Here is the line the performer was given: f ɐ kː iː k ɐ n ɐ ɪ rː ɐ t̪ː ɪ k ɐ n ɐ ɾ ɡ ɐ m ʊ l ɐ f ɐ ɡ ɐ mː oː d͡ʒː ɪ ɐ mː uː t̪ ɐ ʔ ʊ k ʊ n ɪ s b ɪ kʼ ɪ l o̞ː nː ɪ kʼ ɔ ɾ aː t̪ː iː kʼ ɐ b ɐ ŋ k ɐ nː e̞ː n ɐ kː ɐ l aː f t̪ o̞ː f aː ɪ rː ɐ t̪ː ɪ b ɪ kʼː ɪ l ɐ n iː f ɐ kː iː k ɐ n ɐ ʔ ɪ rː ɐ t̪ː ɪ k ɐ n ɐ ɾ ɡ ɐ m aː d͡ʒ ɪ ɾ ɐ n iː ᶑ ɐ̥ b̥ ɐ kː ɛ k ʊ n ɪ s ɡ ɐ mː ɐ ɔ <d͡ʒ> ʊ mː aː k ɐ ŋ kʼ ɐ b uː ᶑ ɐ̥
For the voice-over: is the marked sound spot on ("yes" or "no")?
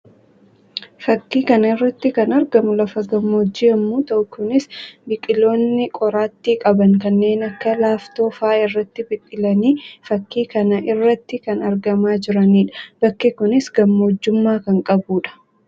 no